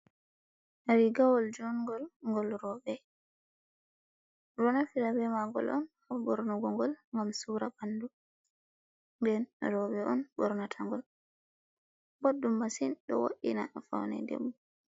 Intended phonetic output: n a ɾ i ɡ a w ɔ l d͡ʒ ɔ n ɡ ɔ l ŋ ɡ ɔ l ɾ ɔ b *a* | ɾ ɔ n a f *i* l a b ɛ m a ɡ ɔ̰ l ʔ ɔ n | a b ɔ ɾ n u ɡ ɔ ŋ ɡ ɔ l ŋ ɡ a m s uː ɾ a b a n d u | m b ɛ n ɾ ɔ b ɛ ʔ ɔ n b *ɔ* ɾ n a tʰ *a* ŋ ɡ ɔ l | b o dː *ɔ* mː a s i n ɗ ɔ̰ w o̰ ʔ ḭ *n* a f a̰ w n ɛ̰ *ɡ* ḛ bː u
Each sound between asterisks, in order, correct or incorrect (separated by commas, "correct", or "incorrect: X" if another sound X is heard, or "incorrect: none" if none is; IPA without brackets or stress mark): incorrect: ɛ, correct, correct, correct, incorrect: u, correct, incorrect: d